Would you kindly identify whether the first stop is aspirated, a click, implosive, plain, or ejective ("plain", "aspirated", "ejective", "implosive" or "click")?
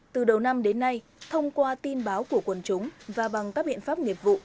plain